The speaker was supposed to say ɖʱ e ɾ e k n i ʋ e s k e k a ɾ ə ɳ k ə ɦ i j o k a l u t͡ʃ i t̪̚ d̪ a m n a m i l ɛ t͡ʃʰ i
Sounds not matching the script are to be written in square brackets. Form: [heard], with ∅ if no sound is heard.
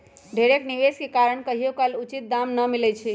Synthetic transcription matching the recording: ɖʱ e ɾ e k n i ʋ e s k e k a ɾ ə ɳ k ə ɦ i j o k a l u t͡ʃ i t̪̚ d̪ a m n [ə] m i l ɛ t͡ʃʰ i